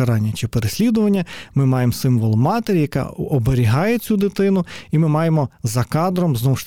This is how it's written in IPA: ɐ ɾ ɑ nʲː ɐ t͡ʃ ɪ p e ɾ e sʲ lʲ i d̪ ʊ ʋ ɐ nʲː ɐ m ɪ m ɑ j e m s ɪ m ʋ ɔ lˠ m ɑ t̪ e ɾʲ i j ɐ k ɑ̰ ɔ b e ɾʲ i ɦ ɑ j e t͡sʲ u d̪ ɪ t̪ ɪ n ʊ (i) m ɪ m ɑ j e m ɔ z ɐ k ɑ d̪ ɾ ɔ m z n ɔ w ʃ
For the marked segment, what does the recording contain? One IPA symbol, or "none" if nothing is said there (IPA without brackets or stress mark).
i